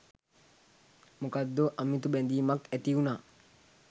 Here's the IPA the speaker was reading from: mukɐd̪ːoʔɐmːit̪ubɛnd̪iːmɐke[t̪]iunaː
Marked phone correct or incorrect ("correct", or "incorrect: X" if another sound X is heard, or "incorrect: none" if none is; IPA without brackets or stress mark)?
correct